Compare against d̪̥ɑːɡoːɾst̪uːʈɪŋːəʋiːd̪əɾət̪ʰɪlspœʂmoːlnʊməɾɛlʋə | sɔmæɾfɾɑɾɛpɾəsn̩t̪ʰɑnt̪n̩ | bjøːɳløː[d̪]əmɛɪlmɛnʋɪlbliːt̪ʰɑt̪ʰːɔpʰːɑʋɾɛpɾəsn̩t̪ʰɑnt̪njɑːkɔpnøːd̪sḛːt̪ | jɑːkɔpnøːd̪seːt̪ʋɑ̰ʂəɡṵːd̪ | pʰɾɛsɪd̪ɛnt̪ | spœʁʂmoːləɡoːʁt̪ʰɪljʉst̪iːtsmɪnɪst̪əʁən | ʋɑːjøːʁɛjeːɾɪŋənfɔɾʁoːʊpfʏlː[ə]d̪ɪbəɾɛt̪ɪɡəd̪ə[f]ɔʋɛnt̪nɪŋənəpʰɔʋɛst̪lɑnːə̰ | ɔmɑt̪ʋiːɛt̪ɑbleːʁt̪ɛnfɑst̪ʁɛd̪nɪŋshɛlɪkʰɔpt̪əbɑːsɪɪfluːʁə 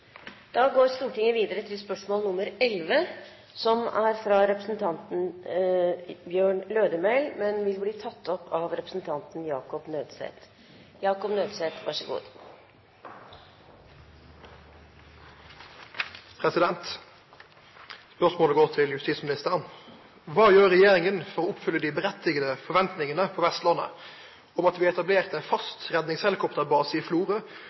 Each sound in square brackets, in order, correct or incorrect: correct, correct, correct

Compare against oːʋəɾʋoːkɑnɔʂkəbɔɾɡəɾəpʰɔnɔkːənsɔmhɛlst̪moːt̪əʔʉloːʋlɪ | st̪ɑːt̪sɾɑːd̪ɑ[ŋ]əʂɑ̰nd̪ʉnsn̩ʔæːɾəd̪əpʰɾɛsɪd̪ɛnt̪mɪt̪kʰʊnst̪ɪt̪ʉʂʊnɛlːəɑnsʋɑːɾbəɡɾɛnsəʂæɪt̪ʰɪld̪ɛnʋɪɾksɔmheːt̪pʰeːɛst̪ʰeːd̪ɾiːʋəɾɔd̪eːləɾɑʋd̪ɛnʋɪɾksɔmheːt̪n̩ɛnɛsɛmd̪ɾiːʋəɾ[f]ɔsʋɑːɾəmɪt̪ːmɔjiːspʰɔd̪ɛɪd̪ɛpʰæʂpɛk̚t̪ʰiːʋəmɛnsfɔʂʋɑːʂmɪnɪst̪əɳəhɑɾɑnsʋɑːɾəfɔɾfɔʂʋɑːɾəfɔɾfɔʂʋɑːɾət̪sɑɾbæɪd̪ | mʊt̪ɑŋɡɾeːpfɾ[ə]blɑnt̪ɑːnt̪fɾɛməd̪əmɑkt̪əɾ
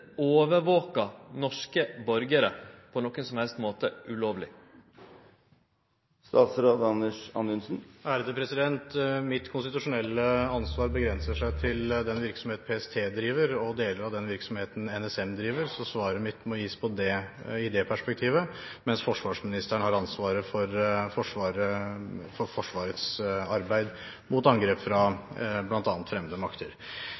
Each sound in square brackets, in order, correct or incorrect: incorrect: n, incorrect: s, incorrect: ɑ

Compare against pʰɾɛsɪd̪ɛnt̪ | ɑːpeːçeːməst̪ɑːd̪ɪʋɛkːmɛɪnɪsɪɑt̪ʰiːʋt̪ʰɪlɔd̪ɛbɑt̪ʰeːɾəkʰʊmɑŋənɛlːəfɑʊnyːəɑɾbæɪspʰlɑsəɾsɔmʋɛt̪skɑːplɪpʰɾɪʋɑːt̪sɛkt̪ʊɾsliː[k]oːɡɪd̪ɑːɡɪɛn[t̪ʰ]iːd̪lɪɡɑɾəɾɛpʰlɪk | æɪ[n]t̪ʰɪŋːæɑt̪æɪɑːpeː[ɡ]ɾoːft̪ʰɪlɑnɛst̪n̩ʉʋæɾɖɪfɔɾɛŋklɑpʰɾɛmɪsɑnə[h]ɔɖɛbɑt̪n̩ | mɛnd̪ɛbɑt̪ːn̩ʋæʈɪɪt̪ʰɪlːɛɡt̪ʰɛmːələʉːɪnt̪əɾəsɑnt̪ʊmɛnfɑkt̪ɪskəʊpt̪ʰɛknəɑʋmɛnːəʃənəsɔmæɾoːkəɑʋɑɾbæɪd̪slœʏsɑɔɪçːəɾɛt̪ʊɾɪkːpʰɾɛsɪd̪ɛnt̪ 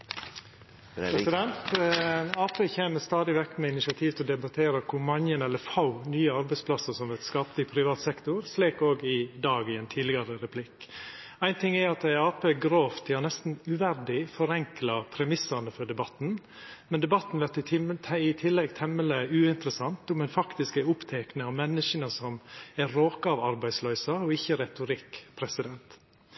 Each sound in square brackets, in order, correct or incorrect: correct, correct, correct, correct, incorrect: f

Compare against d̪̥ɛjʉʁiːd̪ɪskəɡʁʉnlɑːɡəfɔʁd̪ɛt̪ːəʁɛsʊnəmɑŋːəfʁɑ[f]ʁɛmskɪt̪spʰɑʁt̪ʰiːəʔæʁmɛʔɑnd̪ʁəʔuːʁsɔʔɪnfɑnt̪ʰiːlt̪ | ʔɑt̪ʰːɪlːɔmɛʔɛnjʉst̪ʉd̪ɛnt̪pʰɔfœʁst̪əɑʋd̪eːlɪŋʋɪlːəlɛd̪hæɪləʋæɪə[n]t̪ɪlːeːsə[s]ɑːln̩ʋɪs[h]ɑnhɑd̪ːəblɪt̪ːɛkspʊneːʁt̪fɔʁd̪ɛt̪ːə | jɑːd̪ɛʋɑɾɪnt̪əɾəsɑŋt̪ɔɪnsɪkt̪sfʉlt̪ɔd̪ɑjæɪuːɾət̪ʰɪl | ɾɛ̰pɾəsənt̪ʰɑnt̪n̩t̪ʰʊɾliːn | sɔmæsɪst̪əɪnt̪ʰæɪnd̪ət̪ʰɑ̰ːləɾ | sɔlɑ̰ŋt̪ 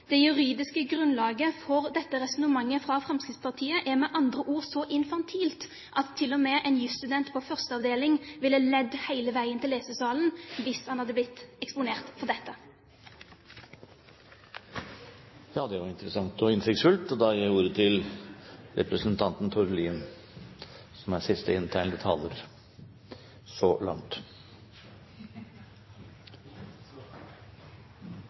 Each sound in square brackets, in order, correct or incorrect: correct, correct, correct, correct

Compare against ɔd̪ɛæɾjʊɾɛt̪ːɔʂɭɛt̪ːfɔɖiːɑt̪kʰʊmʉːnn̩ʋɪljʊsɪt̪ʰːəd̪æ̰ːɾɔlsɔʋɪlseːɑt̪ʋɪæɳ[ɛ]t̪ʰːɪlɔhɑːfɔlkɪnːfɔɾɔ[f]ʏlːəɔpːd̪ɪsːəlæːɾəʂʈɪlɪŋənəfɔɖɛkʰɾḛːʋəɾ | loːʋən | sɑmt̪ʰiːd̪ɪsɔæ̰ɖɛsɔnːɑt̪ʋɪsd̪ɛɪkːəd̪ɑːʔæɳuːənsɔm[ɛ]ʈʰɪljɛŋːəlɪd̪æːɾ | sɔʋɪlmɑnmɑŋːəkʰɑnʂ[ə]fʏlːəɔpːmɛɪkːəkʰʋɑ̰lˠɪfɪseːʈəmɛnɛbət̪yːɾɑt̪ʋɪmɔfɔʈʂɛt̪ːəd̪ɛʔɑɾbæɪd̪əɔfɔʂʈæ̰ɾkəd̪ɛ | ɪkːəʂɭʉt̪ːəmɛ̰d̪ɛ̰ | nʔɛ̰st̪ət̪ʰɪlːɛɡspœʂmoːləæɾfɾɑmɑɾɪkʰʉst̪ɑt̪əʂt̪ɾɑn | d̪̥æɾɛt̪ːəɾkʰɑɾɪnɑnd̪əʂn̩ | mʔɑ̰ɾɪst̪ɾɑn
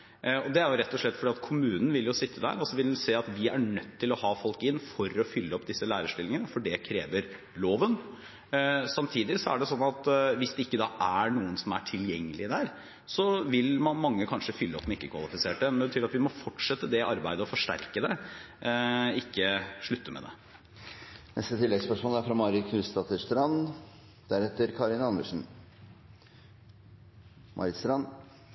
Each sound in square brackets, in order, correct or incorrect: incorrect: œ, correct, incorrect: æ, correct

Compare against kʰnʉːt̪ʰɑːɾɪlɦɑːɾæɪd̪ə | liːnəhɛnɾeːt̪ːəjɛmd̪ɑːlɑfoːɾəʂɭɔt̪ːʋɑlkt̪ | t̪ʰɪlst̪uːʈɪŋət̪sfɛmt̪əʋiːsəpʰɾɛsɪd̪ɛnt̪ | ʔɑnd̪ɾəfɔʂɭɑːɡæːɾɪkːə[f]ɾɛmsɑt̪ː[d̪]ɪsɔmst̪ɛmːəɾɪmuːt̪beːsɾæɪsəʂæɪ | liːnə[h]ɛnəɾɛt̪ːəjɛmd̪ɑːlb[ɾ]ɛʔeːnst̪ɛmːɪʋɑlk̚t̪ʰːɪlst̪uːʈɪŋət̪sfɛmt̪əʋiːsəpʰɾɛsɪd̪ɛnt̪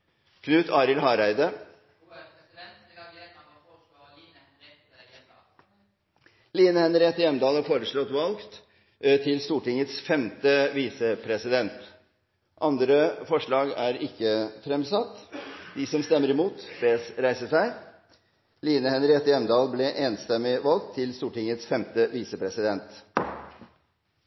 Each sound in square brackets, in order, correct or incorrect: correct, correct, correct, incorrect: l

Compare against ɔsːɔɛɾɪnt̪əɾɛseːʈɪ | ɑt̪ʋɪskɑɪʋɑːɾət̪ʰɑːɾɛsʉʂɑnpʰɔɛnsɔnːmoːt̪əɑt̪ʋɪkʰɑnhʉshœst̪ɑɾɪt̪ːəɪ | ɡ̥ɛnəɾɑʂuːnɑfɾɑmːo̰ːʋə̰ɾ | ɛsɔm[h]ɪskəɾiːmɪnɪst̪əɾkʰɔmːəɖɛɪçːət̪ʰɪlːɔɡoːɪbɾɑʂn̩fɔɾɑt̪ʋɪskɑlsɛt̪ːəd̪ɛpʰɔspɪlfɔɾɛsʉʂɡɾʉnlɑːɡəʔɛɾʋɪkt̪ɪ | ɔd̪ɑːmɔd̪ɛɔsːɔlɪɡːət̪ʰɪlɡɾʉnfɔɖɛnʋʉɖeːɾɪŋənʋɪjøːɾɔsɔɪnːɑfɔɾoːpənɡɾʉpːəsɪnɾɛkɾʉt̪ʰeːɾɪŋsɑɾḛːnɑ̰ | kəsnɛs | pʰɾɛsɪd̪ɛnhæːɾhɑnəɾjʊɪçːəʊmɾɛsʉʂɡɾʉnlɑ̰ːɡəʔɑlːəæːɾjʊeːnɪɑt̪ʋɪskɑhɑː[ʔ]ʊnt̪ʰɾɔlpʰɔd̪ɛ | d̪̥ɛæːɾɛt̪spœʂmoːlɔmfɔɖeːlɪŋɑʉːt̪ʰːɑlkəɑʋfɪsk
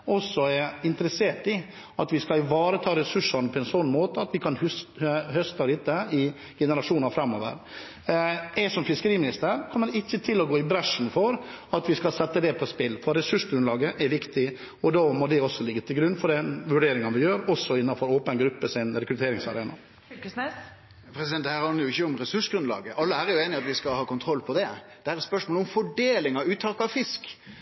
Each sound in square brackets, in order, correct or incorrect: incorrect: f, incorrect: k

